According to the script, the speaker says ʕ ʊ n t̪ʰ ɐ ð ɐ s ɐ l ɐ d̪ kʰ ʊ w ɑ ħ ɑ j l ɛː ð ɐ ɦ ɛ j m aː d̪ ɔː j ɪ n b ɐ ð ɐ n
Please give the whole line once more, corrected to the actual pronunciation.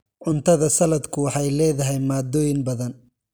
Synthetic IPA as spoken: ʕ ʊ n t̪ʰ ɐ ð ɐ s ɐ l ɐ d̪ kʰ ʊ w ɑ ħ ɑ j l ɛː ð ɐ ɦ ɛ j m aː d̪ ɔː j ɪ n b ɐ ð ɐ n